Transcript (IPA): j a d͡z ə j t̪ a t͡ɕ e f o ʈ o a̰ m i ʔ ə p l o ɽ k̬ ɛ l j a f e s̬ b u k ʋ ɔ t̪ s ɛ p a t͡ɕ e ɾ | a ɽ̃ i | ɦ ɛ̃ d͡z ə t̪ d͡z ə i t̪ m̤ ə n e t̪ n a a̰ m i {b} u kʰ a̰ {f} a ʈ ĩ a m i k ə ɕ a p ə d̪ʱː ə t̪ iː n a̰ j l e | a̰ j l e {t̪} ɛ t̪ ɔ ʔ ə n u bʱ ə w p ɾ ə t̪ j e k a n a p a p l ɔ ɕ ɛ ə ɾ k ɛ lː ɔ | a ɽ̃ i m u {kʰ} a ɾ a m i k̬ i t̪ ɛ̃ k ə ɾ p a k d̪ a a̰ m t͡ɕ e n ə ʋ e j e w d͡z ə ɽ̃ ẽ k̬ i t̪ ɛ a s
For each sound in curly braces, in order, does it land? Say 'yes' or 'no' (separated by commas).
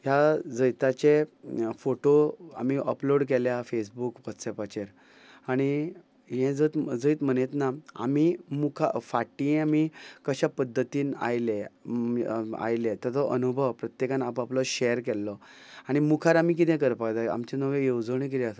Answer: no, yes, yes, yes